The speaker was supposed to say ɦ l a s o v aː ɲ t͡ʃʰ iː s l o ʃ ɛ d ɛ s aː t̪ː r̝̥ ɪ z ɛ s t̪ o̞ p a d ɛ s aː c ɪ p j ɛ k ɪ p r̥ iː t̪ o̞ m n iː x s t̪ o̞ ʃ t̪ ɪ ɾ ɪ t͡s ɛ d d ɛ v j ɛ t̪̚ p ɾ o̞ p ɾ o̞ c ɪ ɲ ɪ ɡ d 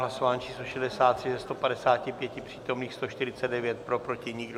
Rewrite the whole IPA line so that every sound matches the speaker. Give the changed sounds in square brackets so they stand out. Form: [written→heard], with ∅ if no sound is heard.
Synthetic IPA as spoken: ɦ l a s o v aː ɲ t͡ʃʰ iː s l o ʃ ɛ d ɛ s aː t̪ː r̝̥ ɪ z ɛ s t̪ o̞ p a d ɛ s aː c ɪ p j ɛ [k→c] ɪ p r̥ iː t̪ o̞ m n iː x s t̪ o̞ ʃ t̪ ɪ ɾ ɪ t͡s ɛ d d ɛ v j ɛ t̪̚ p ɾ o̞ p ɾ o̞ c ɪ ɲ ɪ ɡ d